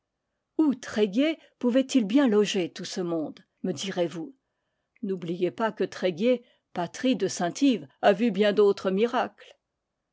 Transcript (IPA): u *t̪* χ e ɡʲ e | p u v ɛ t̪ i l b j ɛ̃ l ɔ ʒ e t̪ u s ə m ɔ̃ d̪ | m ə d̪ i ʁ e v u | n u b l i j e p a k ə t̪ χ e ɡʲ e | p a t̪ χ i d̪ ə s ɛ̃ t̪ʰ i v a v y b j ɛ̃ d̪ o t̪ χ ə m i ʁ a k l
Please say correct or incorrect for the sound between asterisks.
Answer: correct